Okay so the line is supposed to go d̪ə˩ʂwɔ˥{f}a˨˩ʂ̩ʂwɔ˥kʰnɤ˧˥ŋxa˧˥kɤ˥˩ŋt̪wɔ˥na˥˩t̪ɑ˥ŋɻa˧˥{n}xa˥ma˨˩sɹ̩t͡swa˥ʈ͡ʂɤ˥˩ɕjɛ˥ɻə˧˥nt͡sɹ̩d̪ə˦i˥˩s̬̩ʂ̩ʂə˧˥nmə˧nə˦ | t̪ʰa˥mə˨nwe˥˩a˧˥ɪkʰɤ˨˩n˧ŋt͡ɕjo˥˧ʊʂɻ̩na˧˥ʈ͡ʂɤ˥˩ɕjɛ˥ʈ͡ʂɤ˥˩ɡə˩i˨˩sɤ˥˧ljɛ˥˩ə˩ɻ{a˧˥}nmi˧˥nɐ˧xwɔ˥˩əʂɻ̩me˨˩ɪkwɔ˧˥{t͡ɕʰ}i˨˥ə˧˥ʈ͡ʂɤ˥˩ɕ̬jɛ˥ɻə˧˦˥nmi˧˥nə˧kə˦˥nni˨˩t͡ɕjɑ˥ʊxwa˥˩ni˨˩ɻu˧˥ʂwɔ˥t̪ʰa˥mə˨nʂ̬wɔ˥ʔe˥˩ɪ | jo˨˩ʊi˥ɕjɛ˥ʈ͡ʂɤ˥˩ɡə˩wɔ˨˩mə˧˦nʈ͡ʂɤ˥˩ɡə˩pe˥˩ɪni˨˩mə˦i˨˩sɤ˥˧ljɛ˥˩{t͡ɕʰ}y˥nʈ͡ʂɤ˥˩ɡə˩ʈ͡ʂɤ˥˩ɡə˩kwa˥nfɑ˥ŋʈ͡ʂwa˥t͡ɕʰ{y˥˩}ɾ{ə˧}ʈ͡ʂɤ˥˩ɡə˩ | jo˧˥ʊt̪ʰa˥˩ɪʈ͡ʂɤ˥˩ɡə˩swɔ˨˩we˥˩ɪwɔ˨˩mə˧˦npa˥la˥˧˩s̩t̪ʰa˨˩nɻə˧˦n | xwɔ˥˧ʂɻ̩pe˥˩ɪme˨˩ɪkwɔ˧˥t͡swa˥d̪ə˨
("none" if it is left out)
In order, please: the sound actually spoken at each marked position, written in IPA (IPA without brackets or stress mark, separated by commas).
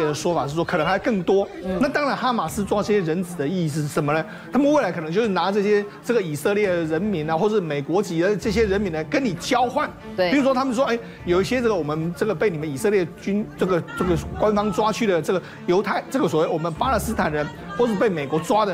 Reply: f, n, ə˧˥, t͡ɕ, t͡ɕ, y˥˩, ə˩